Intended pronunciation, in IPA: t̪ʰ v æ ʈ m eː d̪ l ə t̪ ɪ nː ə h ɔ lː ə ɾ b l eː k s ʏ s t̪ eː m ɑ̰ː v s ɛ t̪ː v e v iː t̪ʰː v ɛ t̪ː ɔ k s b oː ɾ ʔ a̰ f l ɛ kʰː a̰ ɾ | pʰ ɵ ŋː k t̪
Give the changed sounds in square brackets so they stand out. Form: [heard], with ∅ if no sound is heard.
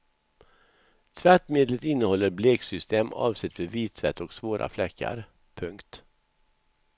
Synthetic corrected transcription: t̪ʰ v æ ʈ m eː d̪ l ə t̪ ɪ nː ə h ɔ lː ə ɾ b l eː k s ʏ s t̪ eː m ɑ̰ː v s ɛ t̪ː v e v iː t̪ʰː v ɛ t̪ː ɔ k s [v] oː ɾ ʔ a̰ f l ɛ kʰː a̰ ɾ | pʰ ɵ [ŋ] k t̪